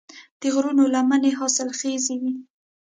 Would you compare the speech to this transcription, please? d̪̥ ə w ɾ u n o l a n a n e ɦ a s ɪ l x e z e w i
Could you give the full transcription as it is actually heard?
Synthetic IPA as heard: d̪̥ ə ɣ ɾ u n o l a m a n e ɦ ɑ s ɪ l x e z e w i